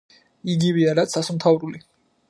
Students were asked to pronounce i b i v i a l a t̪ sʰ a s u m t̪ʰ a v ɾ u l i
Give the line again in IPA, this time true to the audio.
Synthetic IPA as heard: i ɡ i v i a ɾ a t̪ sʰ a s u m t̪ʰ a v ɾ u l i